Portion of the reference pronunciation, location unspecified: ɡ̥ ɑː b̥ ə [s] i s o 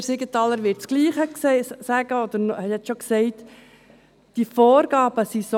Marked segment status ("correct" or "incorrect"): correct